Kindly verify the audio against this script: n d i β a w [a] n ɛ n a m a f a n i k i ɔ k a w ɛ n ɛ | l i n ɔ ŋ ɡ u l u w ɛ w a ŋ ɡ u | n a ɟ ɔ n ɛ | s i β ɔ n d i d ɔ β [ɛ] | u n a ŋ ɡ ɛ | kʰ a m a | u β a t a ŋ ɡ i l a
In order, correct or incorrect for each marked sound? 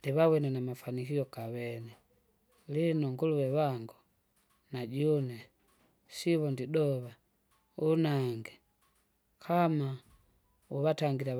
incorrect, incorrect

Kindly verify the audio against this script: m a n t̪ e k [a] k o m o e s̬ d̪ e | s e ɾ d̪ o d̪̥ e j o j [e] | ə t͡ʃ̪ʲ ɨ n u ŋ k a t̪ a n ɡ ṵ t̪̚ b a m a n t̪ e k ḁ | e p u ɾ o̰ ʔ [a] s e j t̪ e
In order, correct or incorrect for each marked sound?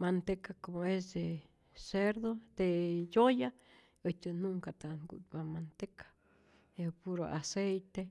correct, incorrect, correct

